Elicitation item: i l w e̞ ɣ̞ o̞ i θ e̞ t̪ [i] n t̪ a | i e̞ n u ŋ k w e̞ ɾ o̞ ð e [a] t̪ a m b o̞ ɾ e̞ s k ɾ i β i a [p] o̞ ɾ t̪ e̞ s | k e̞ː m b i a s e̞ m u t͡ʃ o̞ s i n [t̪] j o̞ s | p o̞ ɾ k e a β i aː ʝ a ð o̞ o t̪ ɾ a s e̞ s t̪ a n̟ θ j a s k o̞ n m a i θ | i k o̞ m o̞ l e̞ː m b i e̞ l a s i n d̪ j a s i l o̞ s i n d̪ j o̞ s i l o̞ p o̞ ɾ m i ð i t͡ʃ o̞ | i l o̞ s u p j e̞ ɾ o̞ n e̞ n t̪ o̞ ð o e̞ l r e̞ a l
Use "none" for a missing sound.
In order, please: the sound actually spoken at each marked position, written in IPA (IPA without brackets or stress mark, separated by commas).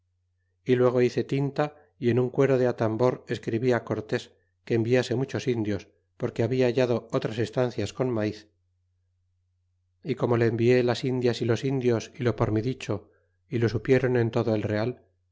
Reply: i, a, k, d̪